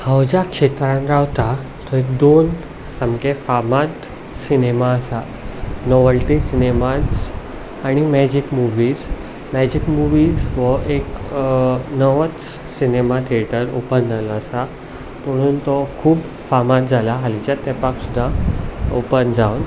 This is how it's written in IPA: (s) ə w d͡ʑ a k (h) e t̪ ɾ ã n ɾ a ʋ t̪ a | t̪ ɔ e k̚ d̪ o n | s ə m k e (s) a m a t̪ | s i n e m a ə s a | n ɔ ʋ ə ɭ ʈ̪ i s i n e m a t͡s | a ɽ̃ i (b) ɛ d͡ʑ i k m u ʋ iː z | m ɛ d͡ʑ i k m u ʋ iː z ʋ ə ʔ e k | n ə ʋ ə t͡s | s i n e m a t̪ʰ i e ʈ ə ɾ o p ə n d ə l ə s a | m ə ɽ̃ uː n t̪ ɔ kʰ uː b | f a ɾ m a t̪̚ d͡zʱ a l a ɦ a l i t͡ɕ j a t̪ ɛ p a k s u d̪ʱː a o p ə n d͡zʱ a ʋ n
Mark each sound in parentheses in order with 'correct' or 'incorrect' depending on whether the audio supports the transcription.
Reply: incorrect, incorrect, incorrect, incorrect

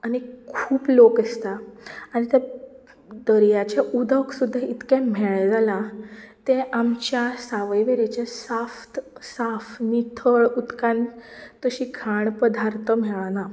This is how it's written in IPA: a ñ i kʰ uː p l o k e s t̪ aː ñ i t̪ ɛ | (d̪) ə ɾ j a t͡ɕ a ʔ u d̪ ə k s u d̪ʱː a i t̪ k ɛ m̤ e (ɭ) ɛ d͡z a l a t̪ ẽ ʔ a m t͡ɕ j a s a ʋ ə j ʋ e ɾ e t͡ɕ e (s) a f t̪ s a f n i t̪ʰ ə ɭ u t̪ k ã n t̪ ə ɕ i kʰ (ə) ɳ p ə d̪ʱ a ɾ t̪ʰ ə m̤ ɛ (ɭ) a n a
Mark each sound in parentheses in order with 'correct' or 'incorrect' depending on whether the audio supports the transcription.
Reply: correct, correct, correct, incorrect, correct

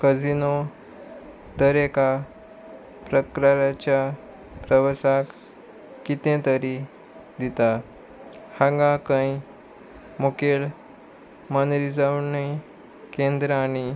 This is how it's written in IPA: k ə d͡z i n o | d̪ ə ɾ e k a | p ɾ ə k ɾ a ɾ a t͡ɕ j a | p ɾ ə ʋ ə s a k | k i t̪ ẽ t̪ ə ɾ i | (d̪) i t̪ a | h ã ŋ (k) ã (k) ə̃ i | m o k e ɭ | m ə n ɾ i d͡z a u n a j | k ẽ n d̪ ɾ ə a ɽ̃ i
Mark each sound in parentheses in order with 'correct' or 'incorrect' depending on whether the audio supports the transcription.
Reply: correct, incorrect, correct

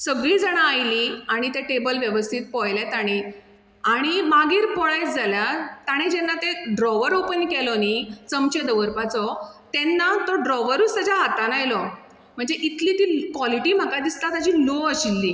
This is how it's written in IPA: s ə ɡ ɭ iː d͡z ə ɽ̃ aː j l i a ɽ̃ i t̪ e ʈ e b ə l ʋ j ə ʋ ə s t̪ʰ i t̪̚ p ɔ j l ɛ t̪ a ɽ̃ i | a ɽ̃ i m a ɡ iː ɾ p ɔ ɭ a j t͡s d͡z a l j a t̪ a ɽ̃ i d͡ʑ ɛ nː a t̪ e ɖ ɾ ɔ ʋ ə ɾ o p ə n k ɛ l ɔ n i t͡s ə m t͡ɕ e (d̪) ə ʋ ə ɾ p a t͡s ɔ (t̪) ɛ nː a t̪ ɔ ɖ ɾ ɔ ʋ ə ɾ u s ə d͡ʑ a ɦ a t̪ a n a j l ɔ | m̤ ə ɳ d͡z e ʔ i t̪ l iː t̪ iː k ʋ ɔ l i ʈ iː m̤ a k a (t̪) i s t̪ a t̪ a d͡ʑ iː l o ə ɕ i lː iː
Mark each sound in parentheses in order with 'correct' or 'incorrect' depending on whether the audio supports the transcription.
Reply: correct, correct, incorrect

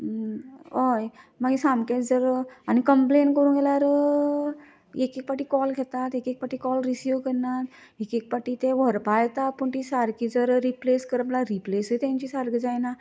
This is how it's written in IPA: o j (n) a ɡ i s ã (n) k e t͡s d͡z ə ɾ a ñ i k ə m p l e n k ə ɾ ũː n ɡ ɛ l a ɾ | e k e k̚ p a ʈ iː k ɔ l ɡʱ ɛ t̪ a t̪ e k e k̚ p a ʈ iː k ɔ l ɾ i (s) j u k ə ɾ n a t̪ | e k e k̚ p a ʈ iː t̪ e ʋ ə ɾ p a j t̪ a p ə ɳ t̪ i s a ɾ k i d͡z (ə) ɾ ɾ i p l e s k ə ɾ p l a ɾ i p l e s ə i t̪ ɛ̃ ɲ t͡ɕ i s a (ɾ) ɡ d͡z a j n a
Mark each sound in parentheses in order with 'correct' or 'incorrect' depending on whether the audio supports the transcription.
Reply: incorrect, incorrect, correct, correct, correct

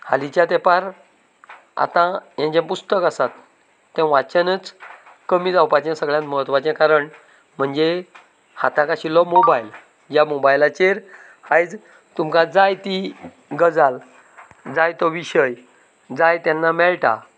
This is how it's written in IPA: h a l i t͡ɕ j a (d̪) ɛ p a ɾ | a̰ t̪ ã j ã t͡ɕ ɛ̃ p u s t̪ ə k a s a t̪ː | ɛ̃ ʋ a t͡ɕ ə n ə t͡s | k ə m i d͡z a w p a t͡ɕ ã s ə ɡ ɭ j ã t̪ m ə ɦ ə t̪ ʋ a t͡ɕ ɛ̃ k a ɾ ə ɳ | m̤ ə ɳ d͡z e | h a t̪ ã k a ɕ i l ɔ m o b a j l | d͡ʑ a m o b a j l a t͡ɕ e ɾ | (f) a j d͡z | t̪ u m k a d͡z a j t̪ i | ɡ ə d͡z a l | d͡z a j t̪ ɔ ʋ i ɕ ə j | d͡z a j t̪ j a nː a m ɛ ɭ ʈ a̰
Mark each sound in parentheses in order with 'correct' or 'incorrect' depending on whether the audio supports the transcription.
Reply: incorrect, incorrect

